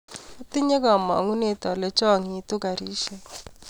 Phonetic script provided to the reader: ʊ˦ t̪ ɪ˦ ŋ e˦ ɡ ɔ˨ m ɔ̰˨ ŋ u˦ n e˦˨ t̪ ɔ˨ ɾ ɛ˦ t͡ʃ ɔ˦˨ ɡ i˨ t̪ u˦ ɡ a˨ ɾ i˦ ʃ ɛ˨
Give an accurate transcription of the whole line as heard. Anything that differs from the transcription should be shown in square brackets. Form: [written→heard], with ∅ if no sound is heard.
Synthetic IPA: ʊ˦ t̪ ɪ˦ [ŋ→ɲ] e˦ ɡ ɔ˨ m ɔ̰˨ ŋ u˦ n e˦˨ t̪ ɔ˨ [ɾ→l] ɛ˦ t͡ʃ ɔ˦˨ [ɡ→ŋ] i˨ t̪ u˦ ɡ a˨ ɾ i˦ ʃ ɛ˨